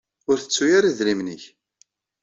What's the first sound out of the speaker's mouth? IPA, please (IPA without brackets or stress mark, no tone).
ʊ